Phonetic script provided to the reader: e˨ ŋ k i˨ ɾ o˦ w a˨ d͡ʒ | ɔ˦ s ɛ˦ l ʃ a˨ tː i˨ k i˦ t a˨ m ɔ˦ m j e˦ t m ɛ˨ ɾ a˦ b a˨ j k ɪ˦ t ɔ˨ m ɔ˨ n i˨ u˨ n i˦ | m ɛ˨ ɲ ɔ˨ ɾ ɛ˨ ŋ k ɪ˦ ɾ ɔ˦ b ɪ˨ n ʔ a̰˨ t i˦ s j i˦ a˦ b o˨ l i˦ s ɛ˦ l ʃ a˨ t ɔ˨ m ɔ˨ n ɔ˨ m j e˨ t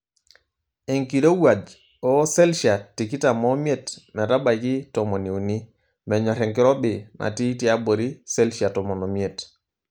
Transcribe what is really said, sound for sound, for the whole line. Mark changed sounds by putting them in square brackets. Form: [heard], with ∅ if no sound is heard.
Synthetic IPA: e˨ ŋ k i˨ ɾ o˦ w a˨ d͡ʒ | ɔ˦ s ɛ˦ l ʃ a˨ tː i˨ k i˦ t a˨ m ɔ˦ m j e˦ t m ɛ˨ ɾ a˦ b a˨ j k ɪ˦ t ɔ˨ m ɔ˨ n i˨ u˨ n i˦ | m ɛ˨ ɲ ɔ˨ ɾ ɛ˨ ŋ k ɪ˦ ɾ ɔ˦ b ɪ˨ n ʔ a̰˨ t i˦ [t] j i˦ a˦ b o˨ [ɾ] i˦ s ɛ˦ l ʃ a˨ t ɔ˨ m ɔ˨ n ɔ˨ m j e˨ t